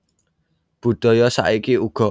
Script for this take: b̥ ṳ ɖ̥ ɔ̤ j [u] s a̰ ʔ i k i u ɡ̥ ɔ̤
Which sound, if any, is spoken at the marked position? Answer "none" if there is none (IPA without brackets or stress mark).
ɔ